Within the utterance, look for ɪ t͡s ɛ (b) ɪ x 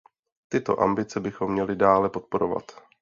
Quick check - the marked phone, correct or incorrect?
correct